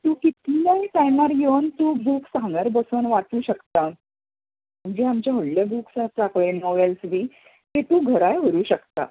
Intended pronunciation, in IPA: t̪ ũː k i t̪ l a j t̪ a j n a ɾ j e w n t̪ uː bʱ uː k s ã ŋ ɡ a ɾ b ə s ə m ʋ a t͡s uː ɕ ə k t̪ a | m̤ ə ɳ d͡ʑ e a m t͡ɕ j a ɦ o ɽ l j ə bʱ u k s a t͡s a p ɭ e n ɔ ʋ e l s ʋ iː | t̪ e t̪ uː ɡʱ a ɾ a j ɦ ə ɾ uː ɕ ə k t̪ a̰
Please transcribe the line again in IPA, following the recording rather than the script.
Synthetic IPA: t̪ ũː k i t̪ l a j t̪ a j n a ɾ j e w n t̪ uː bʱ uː k s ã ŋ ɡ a ɾ b ə s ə n ʋ a t͡s uː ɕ ə k t̪ a | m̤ ə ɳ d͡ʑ e a m t͡ɕ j a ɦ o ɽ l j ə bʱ u k s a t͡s a k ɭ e n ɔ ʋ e l s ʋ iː | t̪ e t̪ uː ɡʱ ə ɾ a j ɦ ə ɾ uː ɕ ə k t̪ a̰

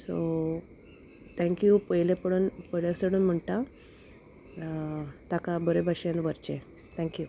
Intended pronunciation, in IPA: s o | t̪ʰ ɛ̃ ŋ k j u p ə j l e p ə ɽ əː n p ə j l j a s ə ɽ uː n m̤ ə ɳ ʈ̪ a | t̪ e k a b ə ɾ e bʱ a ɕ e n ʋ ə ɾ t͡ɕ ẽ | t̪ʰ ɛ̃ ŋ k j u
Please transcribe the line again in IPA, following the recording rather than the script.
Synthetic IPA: s o | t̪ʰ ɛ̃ ŋ k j u p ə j l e p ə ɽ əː n p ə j l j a s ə ɽ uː n m̤ ə ɳ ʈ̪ a | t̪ a k a b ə ɾ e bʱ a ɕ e n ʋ ə ɾ t͡ɕ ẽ | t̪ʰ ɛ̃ ŋ k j u

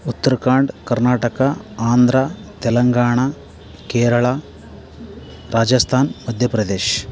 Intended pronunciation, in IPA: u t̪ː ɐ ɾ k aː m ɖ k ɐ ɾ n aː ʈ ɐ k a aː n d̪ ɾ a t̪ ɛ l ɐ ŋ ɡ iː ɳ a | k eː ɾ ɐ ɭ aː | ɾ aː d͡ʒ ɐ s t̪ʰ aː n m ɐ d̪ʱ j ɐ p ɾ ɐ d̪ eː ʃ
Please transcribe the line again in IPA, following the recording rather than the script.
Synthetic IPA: u t̪ː ɐ ɾ k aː ɳ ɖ k ɐ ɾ n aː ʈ ɐ k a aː n d̪ ɾ a t̪ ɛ l ɐ ŋ ɡ aː ɳ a | k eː ɾ ɐ ɭ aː | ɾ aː d͡ʒ ɐ s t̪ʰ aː n m ɐ d̪ʱ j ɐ p ɾ ɐ d̪ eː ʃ

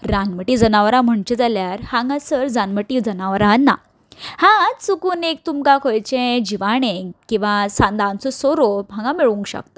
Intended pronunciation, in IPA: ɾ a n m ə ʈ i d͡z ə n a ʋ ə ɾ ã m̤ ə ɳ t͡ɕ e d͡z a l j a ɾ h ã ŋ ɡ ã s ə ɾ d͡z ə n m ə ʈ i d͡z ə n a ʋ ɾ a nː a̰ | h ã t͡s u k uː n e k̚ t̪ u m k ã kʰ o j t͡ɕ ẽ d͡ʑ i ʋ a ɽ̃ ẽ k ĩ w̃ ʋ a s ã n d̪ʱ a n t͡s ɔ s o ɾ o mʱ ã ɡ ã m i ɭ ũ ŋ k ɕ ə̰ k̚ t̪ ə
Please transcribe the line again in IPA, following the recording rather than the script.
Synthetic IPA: ɾ a n m ə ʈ i d͡z ə n a ʋ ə ɾ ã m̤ ə ɳ t͡ɕ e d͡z a l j a ɾ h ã ŋ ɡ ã s ə ɾ d͡z a n m ə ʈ i d͡z ə n a ʋ ɾ a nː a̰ | h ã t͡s u k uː n e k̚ t̪ u m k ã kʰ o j t͡ɕ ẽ d͡ʑ i ʋ a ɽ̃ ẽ k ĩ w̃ ʋ a s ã n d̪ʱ a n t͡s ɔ s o ɾ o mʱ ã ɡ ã m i ɭ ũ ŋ k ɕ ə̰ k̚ t̪ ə

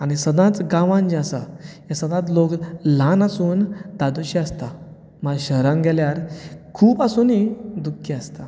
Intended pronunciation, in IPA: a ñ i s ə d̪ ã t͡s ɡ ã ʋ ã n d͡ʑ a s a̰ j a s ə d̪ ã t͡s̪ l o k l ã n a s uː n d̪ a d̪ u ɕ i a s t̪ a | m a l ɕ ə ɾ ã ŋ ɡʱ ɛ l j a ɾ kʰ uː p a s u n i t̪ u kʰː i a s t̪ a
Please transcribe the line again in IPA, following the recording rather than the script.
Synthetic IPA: a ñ i s ə d̪ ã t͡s ɡ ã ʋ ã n d͡ʑ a s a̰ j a s ə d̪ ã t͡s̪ l o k l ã n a s uː n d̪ a d̪ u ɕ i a s t̪ a | m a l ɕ ə ɾ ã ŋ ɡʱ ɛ l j a ɾ kʰ uː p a s u n i d̪ u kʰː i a s t̪ a

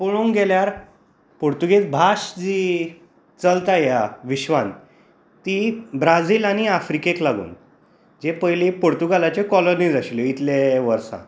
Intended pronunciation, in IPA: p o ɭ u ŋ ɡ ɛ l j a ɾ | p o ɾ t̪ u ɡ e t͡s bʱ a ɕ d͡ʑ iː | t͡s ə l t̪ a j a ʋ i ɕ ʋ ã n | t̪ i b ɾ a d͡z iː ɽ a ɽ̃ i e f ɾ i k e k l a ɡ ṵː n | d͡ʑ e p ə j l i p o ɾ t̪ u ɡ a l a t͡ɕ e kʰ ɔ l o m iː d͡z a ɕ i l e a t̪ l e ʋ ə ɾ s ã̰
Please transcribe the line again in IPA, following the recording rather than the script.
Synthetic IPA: p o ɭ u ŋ ɡ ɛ l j a ɾ | p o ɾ t̪ u ɡ e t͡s bʱ a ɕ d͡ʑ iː | t͡s ə l t̪ a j a ʋ i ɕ ʋ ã n | t̪ i b ɾ a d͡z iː l a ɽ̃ i a f ɾ i k e k l a ɡ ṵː n | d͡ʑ e p ə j l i p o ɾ t̪ u ɡ a l a t͡ɕ e k ɔ l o n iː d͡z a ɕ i l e i t̪ l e ʋ ə ɾ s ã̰

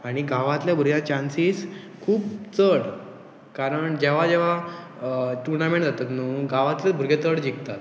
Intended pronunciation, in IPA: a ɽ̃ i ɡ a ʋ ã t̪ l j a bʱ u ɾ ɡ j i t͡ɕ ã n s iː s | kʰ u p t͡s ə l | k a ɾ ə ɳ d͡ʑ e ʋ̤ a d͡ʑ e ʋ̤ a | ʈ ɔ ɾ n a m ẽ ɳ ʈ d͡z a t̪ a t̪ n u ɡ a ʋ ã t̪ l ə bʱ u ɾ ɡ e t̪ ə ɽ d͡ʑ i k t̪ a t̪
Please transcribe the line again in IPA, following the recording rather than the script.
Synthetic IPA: a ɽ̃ i ɡ a ʋ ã t̪ l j a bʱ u ɾ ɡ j a t͡ɕ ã n s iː s | kʰ uː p t͡s ə ɽ | k a ɾ ə ɳ d͡ʑ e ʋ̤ a d͡ʑ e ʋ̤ a | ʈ u ɾ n a m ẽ ɳ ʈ d͡z a t̪ a t̪ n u ɡ a ʋ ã t̪ l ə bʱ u ɾ ɡ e t̪ ə ɽ d͡ʑ i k t̪ a t̪

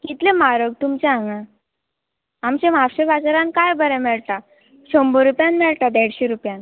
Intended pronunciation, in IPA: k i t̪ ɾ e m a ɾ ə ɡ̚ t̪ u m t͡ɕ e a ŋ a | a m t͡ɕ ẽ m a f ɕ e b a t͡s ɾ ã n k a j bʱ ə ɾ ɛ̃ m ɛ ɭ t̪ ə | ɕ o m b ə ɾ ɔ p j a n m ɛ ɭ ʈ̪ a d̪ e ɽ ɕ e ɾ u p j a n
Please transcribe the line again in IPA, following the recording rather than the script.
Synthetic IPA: k i t̪ l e m a ɾ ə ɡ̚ t̪ u m t͡ɕ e a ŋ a | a m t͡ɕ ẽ m a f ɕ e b a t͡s ɾ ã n k a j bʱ ə ɾ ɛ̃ m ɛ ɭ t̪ a | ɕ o m b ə ɾ u p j a n m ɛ ɭ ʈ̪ a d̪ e ɽ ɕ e ɾ u p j a n

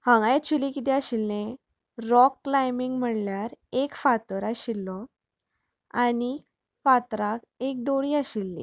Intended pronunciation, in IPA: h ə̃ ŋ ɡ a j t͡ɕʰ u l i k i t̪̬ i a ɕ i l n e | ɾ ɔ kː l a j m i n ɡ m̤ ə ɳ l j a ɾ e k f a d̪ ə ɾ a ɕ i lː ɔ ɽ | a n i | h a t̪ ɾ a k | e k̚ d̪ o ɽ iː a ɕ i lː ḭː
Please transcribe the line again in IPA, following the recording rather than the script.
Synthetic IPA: h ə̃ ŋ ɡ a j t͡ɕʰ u l i k i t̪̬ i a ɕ i l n e | ɾ ɔ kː l a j m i ŋ ɡ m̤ ə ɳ l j a ɾ e k f a t̪ ə ɾ a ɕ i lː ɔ | a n i | f a t̪ ɾ a k | e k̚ d̪ o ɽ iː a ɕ i lː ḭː

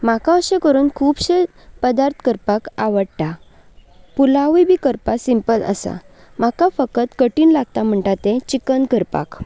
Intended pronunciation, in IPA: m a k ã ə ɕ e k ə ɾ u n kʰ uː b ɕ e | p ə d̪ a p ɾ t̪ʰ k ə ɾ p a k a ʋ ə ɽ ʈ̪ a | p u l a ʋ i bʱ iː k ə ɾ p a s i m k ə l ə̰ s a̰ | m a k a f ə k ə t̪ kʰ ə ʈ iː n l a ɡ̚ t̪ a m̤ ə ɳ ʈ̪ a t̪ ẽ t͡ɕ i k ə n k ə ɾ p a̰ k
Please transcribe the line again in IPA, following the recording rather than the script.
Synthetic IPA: m a k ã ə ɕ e k ə ɾ uː n kʰ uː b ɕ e | p ə d̪ a ɾ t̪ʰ k ə ɾ p a k a ʋ ə ɽ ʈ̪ a | p u l a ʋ i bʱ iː k ə ɾ p a s i m p ə l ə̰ s a̰ | m a k a f ə k ə t̪ k ə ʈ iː n l a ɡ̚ t̪ a m̤ ə ɳ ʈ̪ a t̪ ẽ t͡ɕ i k ə n k ə ɾ p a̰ k

